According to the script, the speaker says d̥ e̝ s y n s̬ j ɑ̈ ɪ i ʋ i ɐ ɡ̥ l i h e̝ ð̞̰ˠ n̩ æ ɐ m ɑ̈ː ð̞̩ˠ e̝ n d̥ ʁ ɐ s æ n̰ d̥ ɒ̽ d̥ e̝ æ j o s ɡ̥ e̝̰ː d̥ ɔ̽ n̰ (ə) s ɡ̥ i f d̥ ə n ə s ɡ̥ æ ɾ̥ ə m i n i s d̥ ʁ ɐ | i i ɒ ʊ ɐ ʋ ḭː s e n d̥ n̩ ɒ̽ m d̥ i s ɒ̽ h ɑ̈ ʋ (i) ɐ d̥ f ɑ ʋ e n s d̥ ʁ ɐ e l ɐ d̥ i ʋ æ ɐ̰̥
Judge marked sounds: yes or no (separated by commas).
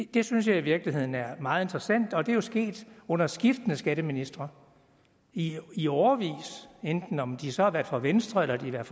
no, no